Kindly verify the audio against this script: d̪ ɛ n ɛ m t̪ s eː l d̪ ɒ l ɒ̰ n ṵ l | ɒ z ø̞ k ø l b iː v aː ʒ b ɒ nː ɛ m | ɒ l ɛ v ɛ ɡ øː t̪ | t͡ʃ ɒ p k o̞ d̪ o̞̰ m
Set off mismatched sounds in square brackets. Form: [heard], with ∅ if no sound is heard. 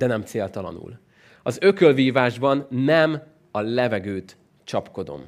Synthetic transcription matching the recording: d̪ ɛ n ɛ m t̪ s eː l [t̪] ɒ l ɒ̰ n ṵ l | ɒ z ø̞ k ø l [v] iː v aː ʒ b ɒ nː ɛ m | ɒ l ɛ v ɛ ɡ øː t̪ | t͡ʃ ɒ p k o̞ d̪ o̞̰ m